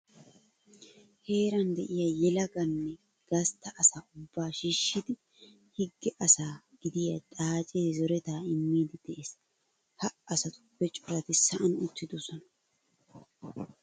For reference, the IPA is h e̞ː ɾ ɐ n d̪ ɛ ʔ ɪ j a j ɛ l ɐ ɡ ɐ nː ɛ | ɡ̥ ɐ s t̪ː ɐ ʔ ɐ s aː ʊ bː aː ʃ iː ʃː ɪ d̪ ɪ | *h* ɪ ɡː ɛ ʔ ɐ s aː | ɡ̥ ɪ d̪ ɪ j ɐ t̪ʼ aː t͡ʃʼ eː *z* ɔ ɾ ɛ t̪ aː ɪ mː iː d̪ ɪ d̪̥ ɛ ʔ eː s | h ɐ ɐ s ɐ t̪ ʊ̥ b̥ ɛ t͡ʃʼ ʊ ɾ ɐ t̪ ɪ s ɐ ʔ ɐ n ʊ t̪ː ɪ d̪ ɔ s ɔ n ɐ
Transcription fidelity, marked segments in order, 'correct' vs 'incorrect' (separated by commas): correct, correct